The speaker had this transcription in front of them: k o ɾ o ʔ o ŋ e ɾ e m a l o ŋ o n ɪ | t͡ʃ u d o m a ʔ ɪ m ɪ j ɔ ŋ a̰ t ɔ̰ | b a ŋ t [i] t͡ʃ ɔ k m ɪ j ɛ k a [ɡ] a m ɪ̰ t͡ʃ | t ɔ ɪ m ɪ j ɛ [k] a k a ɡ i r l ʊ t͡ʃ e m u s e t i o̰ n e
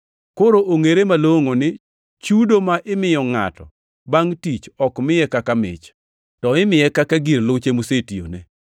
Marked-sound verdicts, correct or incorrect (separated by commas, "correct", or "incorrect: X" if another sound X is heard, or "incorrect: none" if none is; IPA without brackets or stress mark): correct, incorrect: k, correct